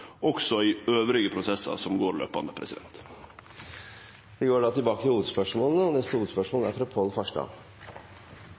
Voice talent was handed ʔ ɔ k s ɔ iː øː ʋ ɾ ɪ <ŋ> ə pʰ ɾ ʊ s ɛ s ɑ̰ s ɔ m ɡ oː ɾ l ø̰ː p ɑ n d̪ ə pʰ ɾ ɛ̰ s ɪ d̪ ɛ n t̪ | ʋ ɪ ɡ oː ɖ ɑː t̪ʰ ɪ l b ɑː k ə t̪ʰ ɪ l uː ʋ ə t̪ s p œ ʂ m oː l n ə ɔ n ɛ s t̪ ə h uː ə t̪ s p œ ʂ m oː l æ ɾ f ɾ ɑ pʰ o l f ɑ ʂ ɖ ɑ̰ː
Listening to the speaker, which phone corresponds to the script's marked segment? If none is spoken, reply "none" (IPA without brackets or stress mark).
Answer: ɡ